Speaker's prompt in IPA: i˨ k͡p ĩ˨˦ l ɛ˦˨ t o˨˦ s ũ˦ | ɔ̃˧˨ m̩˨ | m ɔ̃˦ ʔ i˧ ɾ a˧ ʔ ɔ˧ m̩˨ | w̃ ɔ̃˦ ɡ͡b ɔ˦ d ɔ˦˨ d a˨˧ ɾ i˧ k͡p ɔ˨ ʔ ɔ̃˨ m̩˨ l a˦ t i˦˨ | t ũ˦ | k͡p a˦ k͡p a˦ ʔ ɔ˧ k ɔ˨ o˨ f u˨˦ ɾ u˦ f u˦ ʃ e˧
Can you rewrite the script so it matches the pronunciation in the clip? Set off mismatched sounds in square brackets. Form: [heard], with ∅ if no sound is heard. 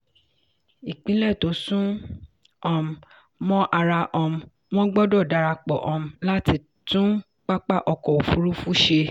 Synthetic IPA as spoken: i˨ k͡p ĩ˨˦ l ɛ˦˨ t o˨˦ s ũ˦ | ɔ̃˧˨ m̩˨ | m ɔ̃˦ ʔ [a˧] ɾ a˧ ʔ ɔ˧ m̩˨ | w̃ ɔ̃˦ ɡ͡b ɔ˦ d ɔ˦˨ d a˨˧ ɾ [a˧] k͡p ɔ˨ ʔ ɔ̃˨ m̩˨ l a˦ t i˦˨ | t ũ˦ | k͡p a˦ k͡p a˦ ʔ ɔ˧ k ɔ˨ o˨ f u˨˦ ɾ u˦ f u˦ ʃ e˧